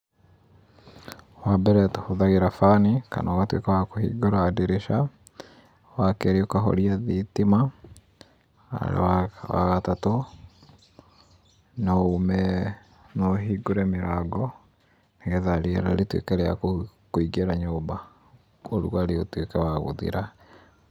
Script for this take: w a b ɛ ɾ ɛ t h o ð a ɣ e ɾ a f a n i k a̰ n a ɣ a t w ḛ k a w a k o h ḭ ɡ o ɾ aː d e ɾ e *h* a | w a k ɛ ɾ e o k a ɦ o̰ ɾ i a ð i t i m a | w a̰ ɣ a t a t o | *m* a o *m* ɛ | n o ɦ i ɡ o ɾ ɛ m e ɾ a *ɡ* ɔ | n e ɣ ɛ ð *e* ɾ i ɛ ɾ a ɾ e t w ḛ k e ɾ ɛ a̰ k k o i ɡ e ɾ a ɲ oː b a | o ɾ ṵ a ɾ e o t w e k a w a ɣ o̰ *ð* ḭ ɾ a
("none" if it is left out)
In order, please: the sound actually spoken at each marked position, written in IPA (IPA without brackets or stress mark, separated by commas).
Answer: ʃ, n, m, ɡ, a, ð